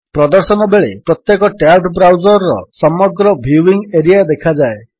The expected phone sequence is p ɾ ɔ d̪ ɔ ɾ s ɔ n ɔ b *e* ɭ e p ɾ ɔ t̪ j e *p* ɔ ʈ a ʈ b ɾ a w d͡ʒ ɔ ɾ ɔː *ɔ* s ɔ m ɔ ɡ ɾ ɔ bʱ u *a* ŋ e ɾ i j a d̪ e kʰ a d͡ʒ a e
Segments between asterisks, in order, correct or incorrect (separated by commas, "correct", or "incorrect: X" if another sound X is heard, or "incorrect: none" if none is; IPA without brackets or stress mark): correct, incorrect: k, correct, incorrect: i